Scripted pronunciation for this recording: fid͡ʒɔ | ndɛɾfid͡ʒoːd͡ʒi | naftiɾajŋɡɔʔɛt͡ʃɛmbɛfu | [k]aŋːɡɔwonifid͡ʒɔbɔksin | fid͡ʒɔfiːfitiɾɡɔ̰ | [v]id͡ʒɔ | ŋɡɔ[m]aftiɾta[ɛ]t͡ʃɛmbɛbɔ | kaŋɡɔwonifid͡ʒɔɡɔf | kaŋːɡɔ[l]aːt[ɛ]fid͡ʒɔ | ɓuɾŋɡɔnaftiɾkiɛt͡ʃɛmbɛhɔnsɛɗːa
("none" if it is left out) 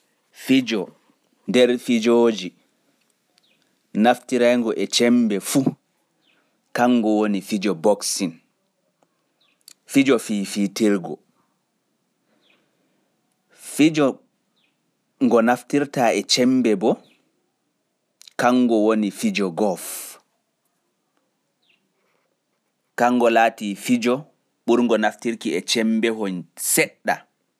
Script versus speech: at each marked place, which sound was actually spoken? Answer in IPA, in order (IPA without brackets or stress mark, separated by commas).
k, f, n, ɛ, l, i